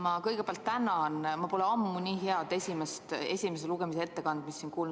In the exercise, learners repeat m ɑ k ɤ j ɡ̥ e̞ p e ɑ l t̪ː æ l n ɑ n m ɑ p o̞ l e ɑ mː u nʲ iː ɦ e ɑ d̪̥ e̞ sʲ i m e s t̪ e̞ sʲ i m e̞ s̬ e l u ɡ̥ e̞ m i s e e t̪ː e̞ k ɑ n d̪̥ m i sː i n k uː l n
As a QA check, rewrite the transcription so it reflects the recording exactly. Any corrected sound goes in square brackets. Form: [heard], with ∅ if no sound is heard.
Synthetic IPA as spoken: m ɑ k ɤ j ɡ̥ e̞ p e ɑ l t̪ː æ [∅] n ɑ n m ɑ p o̞ l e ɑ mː u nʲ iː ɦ e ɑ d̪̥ e̞ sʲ i m e s t̪ e̞ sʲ i m e̞ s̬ e l u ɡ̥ e̞ m i s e e t̪ː e̞ k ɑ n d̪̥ m i sː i n k uː l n